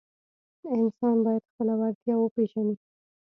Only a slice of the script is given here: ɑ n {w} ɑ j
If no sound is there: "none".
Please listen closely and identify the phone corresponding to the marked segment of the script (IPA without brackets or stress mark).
b